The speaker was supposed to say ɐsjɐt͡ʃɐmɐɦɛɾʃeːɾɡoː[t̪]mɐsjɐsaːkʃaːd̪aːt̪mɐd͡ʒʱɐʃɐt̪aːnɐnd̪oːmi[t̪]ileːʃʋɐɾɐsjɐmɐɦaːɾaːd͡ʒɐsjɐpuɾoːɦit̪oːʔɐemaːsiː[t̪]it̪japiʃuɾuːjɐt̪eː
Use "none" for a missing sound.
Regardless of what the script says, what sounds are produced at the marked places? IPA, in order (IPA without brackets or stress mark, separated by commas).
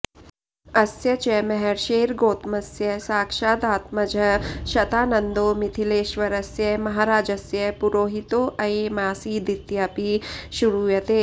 t̪, t̪ʰ, d̪